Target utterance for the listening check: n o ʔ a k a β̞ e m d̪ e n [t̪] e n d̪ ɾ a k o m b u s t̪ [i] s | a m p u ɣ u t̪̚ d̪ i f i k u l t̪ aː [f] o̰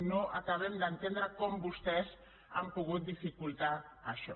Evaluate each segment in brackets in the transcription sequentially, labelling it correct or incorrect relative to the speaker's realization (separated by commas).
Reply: correct, incorrect, incorrect